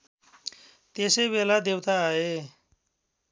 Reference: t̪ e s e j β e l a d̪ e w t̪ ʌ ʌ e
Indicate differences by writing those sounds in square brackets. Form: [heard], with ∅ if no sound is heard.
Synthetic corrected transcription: t̪ e s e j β e l a d̪ e w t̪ [a] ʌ e